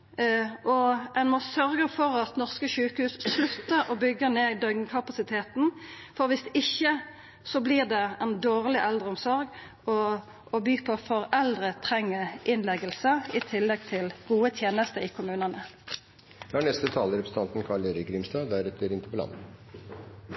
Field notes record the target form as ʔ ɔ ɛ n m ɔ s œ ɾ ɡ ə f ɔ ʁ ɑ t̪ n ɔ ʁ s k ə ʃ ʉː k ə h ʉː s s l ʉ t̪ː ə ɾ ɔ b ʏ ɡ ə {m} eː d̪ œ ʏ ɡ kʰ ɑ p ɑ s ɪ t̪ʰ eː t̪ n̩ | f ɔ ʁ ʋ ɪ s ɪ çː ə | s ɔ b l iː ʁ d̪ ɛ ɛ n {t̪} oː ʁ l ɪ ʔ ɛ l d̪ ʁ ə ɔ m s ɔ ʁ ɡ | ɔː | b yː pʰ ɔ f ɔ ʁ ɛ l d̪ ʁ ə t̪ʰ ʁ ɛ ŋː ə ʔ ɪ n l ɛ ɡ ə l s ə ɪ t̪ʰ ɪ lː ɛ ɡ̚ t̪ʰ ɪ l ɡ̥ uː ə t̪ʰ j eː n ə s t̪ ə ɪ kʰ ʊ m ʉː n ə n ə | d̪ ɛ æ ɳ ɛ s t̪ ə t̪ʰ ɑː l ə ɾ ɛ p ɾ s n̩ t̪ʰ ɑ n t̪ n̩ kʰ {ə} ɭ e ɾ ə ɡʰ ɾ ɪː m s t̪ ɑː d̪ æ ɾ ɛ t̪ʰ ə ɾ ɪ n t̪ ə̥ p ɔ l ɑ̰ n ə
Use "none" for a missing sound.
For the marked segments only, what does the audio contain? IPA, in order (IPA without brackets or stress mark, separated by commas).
n, d̪, ɑ